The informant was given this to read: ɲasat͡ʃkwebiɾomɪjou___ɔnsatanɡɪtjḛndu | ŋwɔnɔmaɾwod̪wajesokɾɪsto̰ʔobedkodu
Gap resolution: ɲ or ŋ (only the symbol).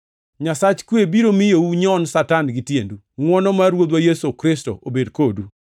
ɲ